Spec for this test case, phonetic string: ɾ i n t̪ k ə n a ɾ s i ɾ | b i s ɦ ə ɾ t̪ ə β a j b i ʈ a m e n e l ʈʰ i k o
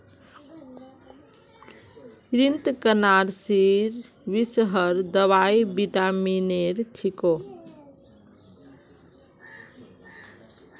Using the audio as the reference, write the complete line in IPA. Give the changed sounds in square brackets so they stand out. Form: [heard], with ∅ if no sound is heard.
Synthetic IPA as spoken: ɾ i n t̪ k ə n a ɾ s i ɾ | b i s ɦ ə ɾ [d̪] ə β a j b i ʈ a m [i] n e [ɾ] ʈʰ i k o